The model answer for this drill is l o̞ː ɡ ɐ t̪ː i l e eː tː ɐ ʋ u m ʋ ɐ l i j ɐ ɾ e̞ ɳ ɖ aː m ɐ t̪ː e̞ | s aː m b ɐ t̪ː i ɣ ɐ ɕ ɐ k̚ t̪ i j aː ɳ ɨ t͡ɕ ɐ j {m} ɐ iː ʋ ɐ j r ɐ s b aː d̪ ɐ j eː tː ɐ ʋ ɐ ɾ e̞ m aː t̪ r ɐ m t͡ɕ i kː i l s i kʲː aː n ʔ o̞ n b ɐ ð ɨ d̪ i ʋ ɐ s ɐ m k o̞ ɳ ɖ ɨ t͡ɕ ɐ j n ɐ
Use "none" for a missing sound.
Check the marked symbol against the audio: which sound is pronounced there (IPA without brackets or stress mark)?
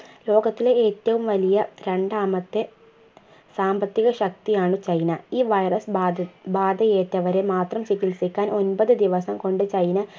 n